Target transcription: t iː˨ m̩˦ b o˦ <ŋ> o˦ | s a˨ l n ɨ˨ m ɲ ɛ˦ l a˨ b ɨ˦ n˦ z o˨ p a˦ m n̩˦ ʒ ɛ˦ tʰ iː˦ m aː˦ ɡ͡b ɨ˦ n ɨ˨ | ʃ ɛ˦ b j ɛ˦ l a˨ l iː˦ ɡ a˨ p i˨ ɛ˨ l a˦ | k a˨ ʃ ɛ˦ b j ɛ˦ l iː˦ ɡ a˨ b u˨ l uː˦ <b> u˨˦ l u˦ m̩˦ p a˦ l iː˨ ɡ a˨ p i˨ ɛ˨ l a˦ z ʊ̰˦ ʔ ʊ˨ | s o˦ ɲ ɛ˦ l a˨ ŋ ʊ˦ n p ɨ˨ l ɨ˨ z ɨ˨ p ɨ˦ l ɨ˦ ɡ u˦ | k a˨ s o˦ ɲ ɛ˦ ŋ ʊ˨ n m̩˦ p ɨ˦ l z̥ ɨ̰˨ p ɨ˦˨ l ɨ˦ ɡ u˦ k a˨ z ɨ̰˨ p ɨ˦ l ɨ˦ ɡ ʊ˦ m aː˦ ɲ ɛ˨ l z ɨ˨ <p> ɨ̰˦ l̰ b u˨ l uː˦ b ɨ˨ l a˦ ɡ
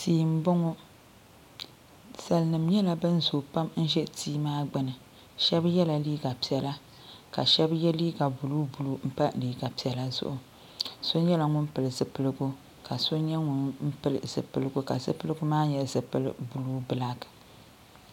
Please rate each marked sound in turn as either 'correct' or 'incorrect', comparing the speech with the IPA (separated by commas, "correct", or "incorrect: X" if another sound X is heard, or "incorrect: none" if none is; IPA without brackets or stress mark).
correct, correct, correct